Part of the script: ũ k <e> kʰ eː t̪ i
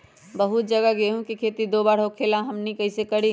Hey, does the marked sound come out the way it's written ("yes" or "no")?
no